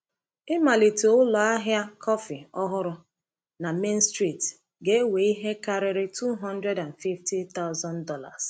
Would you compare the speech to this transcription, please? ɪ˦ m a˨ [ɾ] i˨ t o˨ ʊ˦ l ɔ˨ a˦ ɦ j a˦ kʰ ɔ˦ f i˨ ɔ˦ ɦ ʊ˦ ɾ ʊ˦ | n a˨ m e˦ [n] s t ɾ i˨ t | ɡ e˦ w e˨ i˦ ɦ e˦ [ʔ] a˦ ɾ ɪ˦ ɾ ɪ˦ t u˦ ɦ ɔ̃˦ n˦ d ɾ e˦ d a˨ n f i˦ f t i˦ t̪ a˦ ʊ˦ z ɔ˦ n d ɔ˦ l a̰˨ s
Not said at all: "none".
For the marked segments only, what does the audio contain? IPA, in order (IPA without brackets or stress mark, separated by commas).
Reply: l, n, k